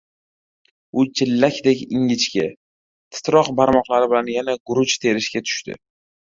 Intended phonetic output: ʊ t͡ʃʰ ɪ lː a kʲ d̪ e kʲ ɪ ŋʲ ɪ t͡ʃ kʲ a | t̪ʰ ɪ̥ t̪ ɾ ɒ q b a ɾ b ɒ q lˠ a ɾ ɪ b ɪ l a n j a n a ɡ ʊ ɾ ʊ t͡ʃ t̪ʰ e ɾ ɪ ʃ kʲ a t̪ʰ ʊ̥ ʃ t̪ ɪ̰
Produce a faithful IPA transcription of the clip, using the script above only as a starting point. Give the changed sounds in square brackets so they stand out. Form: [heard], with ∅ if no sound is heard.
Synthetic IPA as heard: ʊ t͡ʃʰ ɪ lː a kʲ d̪ e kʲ ɪ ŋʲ ɪ t͡ʃ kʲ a | t̪ʰ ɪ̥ t̪ ɾ ɒ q b a ɾ [m] ɒ q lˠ a ɾ ɪ b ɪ l a n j a n a ɡ ʊ ɾ ʊ t͡ʃ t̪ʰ e ɾ ɪ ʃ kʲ a t̪ʰ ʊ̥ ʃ t̪ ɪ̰